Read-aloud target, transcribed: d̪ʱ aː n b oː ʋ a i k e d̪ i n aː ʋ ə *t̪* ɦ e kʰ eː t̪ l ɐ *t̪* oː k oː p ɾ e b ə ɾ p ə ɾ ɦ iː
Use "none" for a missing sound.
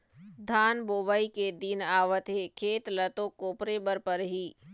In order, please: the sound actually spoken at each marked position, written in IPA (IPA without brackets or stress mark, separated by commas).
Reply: t̪, t̪